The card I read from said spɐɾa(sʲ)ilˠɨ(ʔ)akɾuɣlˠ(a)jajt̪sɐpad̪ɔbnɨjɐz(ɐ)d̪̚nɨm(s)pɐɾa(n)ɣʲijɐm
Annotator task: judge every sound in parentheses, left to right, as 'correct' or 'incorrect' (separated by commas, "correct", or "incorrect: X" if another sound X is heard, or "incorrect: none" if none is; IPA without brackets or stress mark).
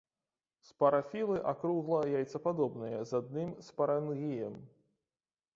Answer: incorrect: fʲ, correct, incorrect: ɐ, incorrect: a, correct, correct